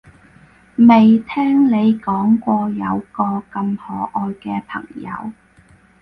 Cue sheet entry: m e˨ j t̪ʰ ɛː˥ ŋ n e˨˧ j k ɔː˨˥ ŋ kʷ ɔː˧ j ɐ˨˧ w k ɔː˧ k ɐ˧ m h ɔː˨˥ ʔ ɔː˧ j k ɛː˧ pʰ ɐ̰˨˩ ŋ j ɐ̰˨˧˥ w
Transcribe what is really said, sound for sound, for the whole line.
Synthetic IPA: m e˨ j t̪ʰ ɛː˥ ŋ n e˨˧ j k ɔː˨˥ ŋ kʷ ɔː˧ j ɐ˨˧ w k ɔː˧ k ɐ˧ m h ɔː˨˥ ʔ ɔː˧ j k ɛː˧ pʰ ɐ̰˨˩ ŋ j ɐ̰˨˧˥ w